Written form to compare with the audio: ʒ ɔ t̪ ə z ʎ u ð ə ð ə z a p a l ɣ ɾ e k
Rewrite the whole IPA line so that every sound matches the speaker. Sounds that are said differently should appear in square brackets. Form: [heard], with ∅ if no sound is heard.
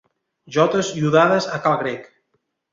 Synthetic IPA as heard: ʒ ɔ t̪ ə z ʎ u ð [a] ð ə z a [k] a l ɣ ɾ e k